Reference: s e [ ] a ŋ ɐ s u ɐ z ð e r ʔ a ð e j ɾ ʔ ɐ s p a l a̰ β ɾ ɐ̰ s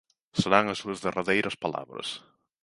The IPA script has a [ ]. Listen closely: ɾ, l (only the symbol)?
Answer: ɾ